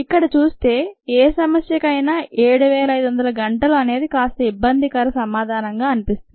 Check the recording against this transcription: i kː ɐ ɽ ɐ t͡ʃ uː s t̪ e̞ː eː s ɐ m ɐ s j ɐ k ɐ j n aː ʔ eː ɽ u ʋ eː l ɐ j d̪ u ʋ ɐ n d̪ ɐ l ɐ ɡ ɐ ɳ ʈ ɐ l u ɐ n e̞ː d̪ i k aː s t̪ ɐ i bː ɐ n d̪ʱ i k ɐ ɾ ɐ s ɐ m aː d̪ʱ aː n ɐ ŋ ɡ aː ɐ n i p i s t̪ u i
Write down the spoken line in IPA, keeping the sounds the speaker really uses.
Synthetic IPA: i kː ɐ ɽ ɐ t͡ʃ uː s t̪ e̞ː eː s ɐ m ɐ s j ɐ k ɐ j n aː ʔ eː ɽ u ʋ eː l ɐ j d̪ u ʋ ɐ n d̪ ɐ l ɐ ɡ ɐ ɳ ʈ ɐ l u ɐ n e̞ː d̪ i k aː s t̪ ɐ i bː ɐ n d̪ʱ i k ɐ ɾ ɐ s ɐ m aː d̪ʱ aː n ɐ ŋ ɡ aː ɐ n i p i s t̪ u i

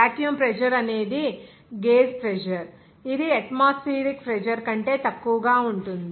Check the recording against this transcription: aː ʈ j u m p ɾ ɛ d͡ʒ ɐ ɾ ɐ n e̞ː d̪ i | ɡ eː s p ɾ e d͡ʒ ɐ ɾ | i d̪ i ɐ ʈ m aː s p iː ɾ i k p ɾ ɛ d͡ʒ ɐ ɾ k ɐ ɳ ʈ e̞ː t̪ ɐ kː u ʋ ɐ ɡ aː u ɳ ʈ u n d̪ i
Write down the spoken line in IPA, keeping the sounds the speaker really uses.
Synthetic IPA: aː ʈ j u m p ɾ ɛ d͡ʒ ɐ ɾ ɐ n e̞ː d̪ i | ɡ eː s p ɾ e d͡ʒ ɐ ɾ | i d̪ i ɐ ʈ m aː s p iː ɾ i k p ɾ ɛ d͡ʒ ɐ ɾ k ɐ ɳ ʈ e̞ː t̪ ɐ kː u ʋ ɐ ɡ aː u ɳ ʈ u n d̪ i

